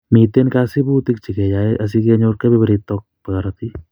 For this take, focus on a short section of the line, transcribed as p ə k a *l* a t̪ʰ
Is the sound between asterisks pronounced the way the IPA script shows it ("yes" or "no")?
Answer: no